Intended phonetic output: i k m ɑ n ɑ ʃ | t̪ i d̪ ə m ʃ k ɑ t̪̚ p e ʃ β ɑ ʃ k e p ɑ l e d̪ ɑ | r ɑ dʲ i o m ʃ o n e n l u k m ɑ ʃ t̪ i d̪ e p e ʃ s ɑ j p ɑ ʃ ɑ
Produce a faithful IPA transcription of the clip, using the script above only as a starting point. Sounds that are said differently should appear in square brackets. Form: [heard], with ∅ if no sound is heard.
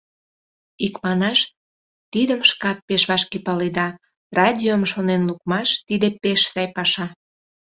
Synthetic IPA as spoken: i k m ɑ n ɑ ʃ | t̪ i d̪ ə m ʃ k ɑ t̪̚ p e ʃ β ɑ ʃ k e p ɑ l e d̪ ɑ | r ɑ dʲ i o m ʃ o n e n l u k m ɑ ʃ t̪ i d̪ e p e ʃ s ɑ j p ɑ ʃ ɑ